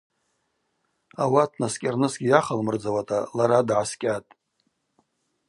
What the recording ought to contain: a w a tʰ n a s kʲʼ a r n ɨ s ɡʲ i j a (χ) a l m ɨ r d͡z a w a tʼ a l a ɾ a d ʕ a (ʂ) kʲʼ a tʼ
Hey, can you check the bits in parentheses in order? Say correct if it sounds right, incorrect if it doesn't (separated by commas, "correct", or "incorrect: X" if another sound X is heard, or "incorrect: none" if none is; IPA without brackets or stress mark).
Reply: correct, incorrect: s